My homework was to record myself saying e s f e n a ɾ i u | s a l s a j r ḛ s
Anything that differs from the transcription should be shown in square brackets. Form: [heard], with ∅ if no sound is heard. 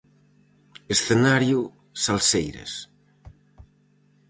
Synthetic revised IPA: e s [θ] e n a ɾ [j] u | s a l s [e] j [ɾ] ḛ s